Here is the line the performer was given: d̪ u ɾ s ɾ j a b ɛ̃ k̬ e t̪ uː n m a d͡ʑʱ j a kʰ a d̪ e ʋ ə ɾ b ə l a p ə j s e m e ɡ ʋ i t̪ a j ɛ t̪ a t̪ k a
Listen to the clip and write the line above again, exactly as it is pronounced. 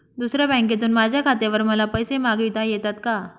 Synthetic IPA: d̪ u s ɾ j a b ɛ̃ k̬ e t̪ uː n m a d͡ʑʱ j a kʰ a t̪ e ʋ ə ɾ m ə l a p ə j s e m a ɡ ʋ i t̪ a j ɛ t̪ a t̪ k a